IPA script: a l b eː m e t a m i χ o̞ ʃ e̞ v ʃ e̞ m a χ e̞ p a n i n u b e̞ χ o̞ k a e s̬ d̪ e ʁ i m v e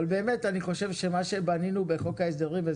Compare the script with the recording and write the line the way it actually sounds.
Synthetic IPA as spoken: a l b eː m e t a n i χ o̞ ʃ e̞ v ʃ e̞ m a ʃ e̞ b a n i n u b e̞ χ o̞ k a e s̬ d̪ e ʁ i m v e